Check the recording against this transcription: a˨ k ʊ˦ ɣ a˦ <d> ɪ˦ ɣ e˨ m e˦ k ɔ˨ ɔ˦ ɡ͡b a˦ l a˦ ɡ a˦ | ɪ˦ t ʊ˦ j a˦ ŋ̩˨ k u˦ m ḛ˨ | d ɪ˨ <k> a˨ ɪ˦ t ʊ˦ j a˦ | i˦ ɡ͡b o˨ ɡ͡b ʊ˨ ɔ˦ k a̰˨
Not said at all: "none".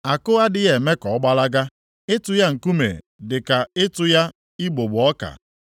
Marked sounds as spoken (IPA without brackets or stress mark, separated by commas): d, k